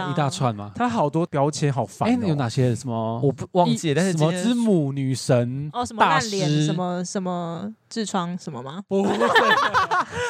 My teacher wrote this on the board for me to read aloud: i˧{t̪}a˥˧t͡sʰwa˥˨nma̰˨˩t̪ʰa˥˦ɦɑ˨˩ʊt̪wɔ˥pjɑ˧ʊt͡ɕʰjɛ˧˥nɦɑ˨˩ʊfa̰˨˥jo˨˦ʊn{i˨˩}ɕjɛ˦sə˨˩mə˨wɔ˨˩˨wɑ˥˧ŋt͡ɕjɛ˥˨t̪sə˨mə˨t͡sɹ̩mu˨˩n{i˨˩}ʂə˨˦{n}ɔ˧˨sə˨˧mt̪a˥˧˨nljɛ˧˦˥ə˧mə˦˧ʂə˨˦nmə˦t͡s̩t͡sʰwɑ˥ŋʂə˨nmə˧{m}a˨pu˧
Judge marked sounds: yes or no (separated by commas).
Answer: yes, no, no, yes, yes